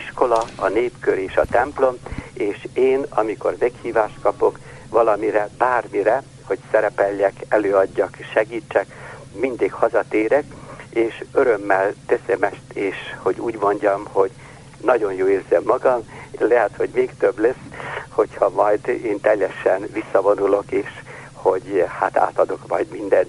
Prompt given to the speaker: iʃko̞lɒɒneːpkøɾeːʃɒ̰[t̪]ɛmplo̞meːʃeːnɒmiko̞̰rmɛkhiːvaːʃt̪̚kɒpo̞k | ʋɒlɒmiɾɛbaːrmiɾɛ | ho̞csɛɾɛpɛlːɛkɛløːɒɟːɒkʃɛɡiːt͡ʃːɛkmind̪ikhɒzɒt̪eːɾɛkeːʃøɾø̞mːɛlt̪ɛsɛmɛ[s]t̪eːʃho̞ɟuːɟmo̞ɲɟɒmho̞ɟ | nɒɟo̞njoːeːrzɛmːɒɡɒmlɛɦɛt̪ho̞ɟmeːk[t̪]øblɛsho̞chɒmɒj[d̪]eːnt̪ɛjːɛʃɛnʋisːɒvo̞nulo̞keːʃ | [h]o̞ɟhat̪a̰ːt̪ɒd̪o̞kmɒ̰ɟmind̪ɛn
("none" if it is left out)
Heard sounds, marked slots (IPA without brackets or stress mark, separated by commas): t̪, ʃ, t̪, d̪, h